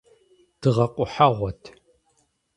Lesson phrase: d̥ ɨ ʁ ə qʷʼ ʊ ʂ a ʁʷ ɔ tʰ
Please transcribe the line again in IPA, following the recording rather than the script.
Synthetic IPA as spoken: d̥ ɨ ʁ ɐ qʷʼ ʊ ħ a ʁʷ ɔ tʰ

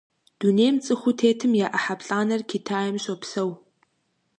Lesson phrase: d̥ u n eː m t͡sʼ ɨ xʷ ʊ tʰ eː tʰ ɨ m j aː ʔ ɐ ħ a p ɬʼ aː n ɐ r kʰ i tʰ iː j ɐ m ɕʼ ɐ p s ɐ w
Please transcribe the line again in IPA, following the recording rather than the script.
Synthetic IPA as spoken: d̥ u n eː m t͡sʼ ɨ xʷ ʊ tʰ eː tʰ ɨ m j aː ʔ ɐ ħ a p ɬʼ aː n ɐ r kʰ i tʰ aː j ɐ m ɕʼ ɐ p s ɐ w

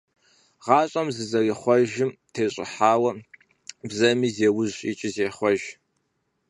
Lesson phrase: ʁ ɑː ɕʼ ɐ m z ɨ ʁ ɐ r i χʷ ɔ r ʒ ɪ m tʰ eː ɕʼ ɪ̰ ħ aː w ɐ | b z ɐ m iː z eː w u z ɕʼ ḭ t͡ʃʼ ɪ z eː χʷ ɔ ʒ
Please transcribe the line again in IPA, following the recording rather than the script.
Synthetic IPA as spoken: ʁ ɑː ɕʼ ɐ m z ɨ z ɐ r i χʷ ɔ ʒ ɪ m tʰ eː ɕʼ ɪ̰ ħ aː w ɐ | b z ɐ m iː z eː w ʊ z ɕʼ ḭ t͡ʃʼ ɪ z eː χʷ ɔ ʒ

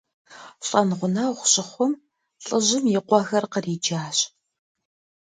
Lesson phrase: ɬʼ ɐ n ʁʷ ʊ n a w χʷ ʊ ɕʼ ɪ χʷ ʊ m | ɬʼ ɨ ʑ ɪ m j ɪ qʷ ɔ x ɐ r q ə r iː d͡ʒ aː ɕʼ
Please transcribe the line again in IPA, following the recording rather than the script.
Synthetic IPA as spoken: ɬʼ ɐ n ʁʷ ʊ n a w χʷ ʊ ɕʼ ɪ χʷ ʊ m | ɬʼ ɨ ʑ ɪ m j ɪ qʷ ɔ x ɐ r q ə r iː d͡ʒ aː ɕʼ

